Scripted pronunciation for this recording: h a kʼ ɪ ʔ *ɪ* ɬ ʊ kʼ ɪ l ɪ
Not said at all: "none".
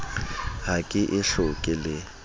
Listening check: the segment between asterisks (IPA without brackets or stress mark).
ɪ